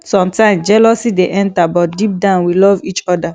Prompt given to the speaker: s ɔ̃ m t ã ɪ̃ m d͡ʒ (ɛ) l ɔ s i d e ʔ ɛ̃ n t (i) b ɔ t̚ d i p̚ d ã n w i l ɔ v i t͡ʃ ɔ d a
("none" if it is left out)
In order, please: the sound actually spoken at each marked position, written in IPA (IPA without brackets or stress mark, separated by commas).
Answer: ɛ, a